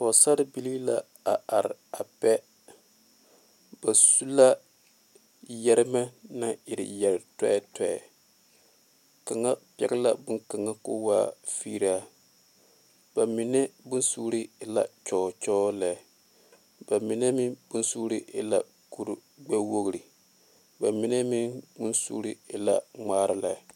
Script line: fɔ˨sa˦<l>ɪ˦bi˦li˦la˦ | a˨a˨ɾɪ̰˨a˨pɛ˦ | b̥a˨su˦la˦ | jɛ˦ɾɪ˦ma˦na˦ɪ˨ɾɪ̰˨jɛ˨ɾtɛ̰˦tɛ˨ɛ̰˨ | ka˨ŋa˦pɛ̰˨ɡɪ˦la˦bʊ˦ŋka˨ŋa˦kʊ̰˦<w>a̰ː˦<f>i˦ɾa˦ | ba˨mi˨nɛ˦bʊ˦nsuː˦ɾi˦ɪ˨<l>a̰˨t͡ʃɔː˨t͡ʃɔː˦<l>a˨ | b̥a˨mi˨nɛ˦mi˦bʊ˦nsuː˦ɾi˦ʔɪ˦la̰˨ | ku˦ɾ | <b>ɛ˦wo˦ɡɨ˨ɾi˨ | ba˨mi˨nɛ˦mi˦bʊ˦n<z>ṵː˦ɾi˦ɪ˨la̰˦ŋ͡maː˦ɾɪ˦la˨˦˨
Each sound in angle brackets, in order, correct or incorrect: incorrect: ɾ, correct, correct, correct, correct, incorrect: ɡ͡b, incorrect: s

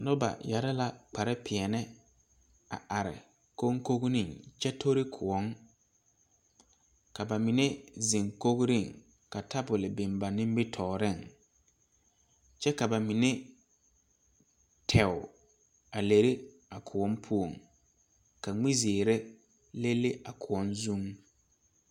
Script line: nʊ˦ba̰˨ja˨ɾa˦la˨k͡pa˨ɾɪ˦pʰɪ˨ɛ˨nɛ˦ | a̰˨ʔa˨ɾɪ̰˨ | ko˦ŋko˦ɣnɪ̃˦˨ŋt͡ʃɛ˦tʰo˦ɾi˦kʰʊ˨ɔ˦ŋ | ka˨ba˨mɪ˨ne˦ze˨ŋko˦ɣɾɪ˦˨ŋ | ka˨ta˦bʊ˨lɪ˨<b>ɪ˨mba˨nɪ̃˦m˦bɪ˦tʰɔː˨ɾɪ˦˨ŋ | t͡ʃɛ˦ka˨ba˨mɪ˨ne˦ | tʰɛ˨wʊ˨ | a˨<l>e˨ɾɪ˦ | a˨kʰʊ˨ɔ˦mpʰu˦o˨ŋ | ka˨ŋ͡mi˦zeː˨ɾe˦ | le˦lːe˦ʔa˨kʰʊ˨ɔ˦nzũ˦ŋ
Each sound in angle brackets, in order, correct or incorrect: correct, correct

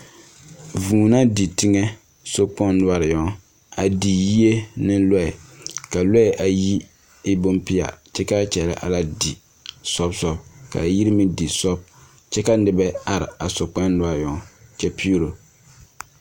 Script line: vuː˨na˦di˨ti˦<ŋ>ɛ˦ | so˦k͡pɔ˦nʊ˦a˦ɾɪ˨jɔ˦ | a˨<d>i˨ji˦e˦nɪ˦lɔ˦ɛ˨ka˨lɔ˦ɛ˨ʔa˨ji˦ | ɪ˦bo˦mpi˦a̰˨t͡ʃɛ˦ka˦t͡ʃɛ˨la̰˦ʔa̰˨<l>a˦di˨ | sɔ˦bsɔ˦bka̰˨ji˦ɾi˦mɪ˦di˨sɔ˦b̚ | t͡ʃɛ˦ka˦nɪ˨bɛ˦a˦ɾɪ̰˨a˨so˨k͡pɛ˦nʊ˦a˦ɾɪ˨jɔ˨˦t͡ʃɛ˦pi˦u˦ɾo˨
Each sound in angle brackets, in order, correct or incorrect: correct, correct, correct

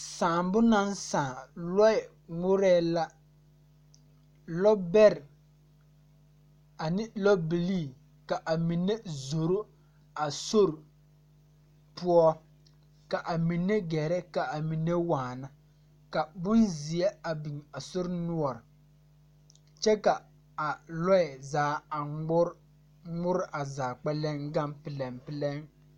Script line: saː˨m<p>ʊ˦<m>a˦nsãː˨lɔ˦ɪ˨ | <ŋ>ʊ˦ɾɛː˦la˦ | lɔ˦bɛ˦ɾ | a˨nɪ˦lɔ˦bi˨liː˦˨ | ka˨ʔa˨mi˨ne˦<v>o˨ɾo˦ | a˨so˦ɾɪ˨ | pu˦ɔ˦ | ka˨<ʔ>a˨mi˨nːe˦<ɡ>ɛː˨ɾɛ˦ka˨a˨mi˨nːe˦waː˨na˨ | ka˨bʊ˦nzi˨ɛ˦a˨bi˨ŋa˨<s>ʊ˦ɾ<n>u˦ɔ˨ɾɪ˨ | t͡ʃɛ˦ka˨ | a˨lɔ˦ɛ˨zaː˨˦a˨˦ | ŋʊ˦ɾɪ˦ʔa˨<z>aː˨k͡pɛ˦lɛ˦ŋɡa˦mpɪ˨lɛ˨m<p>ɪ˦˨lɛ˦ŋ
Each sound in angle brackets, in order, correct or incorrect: incorrect: b, incorrect: n, correct, incorrect: z, correct, correct, correct, correct, correct, correct

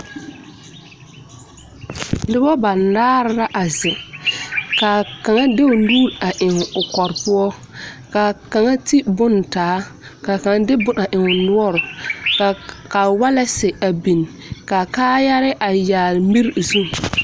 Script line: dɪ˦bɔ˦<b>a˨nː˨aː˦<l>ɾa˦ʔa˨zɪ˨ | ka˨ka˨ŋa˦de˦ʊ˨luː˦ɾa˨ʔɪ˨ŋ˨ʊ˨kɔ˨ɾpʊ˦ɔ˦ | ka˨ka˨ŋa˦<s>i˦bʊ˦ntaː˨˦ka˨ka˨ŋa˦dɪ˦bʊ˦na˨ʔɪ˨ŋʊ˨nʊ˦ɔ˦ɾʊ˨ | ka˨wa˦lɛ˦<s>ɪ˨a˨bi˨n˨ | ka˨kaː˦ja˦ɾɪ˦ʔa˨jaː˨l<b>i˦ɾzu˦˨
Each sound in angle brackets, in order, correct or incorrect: correct, incorrect: ɾ, incorrect: t, correct, incorrect: m

